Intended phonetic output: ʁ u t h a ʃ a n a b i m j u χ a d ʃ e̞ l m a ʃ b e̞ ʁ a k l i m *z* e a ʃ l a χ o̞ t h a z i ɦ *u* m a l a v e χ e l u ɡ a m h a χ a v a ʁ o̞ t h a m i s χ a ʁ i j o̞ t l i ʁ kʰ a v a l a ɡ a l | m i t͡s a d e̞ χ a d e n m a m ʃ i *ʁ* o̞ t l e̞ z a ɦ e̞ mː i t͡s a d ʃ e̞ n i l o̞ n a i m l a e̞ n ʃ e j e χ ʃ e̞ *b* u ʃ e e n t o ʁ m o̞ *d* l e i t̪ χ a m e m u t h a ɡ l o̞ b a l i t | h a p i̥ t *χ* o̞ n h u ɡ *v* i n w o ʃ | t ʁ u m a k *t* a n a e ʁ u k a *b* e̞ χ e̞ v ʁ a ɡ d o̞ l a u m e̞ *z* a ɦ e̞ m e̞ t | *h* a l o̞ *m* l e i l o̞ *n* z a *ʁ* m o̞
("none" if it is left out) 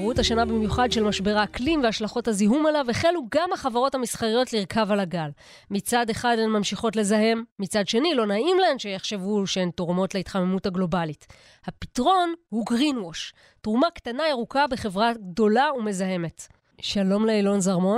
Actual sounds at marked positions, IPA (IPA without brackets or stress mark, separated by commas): v, u, χ, v, t, ʁ, ʁ, t, b, z, ʃ, m, n, ʁ